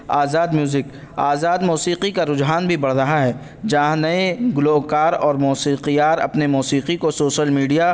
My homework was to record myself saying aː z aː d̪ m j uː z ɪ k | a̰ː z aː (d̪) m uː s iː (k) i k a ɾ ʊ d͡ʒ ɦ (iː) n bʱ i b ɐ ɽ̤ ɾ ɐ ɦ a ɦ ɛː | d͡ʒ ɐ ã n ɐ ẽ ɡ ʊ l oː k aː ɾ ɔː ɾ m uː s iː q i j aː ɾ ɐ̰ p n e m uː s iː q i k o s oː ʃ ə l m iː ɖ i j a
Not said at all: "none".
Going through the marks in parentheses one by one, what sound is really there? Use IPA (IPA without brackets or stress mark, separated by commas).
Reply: d̪, q, aː